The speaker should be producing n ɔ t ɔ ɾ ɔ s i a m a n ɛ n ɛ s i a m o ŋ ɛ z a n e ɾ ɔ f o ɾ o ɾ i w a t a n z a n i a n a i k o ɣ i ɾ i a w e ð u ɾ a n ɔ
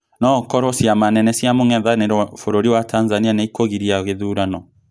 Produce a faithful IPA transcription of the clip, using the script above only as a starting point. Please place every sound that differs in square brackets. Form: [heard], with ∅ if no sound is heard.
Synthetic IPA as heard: n ɔ [k] ɔ ɾ ɔ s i a m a n ɛ n ɛ s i a m o ŋ ɛ [ð] a n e ɾ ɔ f o ɾ o ɾ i w a t a n z a n i a n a i k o ɣ i ɾ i a [ɣ] e ð u ɾ a n ɔ